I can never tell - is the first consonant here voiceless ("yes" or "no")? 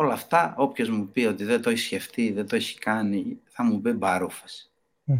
no